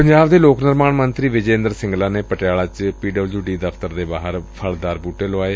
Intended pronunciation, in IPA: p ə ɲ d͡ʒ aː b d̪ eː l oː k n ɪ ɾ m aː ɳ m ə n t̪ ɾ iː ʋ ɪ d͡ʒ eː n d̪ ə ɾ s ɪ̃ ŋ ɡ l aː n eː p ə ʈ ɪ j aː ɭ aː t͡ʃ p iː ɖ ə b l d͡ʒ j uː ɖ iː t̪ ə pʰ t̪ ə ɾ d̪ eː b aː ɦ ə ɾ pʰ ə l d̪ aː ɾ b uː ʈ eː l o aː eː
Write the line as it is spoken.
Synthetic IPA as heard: p ə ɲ d͡ʒ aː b d̪ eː l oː k n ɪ ɾ m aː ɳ m ə n t̪ ɾ iː ʋ ɪ d͡ʒ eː n d̪ ə ɾ s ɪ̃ ŋ ɡ l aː n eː p ə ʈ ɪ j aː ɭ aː t͡ʃ p iː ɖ ə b l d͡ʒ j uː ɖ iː d̪ ə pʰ t̪ ə ɾ d̪ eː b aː ɦ ə ɾ pʰ ə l d̪ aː ɾ b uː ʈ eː l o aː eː